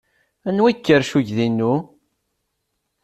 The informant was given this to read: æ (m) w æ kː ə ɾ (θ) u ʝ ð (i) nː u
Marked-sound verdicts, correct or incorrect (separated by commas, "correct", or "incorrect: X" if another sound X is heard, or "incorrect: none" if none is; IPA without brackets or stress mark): incorrect: n, incorrect: ʃ, correct